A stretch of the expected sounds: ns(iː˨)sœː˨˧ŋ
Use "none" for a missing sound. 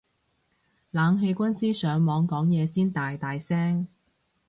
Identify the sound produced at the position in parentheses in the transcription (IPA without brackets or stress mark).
iː˥